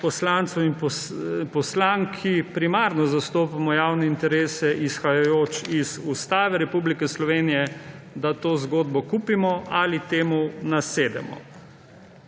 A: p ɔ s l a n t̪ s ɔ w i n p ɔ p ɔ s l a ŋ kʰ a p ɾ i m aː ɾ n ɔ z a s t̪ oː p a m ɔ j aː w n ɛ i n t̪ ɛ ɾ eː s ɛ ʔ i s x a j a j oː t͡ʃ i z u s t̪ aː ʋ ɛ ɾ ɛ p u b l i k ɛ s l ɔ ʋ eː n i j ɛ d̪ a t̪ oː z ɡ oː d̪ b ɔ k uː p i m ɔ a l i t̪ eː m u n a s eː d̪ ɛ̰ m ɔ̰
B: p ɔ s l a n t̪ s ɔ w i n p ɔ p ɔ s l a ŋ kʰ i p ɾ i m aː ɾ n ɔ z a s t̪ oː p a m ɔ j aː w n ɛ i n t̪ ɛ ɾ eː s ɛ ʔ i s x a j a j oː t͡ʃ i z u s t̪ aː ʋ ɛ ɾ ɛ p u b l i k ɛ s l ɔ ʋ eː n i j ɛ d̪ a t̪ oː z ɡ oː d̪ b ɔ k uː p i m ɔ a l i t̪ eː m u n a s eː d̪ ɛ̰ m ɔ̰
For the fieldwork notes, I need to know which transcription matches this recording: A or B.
B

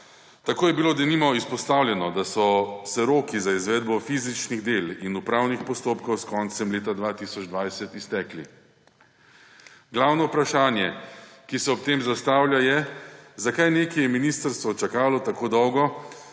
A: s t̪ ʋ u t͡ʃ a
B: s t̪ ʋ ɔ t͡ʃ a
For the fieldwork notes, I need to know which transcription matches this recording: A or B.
B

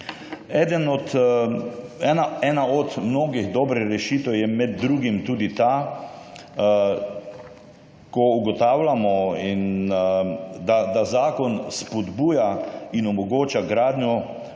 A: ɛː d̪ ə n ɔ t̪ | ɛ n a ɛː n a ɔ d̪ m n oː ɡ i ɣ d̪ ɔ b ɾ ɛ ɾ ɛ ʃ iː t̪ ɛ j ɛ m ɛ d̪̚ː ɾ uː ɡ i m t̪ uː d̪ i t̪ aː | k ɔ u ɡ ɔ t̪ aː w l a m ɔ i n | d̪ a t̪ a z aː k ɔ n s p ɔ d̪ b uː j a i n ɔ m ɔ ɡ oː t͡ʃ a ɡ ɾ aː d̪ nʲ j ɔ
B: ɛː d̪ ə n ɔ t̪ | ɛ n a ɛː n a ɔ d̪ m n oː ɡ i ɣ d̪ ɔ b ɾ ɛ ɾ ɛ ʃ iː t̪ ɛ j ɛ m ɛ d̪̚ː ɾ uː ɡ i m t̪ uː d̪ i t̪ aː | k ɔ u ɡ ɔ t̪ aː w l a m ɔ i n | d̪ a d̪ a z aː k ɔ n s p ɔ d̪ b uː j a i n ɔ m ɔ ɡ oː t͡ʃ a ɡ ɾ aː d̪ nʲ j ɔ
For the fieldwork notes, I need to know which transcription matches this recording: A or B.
B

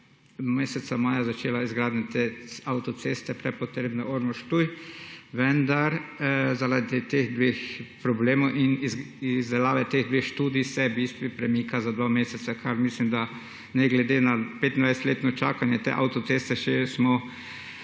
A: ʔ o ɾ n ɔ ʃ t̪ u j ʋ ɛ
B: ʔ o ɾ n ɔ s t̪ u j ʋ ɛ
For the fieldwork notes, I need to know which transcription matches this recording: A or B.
A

